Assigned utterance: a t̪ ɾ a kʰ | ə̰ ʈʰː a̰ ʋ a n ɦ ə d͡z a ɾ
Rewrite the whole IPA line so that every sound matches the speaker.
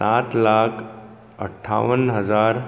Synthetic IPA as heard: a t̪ l a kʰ | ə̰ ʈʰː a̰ ʋ ə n ɦ ə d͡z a ɾ